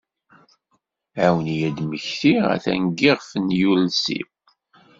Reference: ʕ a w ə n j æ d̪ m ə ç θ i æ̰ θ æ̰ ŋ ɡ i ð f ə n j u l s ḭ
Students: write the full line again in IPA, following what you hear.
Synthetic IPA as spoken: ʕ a w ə n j æ d̪ m ə ç θ i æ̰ θ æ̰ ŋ ɡ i ʁ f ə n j u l s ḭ

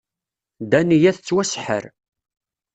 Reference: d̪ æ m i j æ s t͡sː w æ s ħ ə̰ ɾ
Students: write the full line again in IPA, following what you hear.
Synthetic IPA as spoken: d̪ æ n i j æ θ t͡sː w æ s ħ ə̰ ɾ

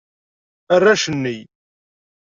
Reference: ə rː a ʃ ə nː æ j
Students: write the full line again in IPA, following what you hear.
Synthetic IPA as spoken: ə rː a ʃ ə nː i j

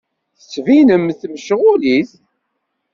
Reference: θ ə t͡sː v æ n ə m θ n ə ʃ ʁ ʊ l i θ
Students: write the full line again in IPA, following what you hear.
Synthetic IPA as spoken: θ ə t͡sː v i n ə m θ m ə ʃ ʁ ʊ l i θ

